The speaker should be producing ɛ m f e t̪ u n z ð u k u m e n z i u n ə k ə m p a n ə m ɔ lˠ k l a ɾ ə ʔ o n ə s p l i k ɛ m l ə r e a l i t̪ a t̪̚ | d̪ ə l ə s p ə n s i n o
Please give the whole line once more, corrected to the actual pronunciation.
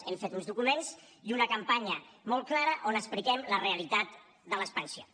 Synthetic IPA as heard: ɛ m f e t̪ u n z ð u k u m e n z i u n ə k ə m p a ɲ ə m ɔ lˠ k l a ɾ ə ʔ o n ə s p l i k ɛ m l ə r e ə l i t̪ a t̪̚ | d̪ ə l ə s p ə n s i o